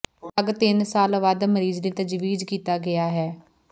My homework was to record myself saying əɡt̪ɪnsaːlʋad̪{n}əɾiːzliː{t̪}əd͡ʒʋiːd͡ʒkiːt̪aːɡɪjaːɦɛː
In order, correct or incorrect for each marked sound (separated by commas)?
incorrect, correct